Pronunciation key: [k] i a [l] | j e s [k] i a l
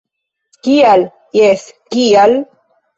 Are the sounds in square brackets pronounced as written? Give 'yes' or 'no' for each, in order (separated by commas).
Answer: yes, yes, yes